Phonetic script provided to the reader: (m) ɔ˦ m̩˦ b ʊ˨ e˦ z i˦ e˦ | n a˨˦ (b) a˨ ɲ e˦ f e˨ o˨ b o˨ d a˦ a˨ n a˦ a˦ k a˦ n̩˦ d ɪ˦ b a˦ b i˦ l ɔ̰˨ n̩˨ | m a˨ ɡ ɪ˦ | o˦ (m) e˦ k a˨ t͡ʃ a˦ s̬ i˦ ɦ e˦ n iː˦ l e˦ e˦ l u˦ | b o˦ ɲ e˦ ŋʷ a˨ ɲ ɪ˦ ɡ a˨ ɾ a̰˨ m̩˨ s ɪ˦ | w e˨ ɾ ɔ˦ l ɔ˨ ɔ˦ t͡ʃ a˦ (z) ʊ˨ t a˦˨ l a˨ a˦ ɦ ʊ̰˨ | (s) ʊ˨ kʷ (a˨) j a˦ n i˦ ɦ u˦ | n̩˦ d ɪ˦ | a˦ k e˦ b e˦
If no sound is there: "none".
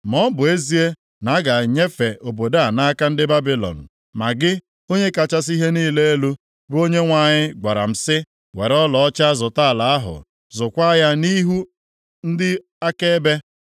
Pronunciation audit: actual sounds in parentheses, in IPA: m, ɡ, ɲ, z, z, a˦

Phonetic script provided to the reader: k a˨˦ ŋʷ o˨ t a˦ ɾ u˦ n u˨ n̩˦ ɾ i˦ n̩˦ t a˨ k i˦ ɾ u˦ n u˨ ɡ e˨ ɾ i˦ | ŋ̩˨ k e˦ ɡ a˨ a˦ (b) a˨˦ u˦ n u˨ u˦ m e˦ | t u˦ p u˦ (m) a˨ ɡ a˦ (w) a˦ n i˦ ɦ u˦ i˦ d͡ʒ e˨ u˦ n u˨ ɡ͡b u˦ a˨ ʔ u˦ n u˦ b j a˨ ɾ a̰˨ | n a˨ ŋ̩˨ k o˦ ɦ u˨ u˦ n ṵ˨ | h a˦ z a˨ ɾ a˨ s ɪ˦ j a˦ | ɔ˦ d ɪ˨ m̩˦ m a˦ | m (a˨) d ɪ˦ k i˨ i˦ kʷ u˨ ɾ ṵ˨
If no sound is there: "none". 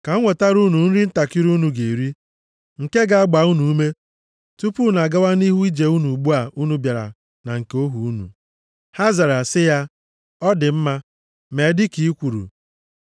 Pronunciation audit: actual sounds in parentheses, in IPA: ɡ͡b, n, w, e˨

